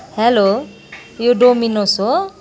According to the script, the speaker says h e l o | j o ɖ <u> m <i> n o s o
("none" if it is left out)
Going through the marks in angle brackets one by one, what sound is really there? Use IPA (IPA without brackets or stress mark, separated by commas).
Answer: o, i